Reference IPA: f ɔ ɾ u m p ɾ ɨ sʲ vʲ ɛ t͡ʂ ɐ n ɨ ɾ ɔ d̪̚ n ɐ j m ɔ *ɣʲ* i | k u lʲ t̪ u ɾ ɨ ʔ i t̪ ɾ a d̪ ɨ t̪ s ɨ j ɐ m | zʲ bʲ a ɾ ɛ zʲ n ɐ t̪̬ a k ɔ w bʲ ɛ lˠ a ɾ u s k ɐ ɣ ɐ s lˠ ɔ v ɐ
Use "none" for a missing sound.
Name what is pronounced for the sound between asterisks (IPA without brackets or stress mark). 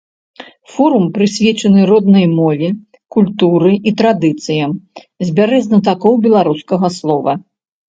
vʲ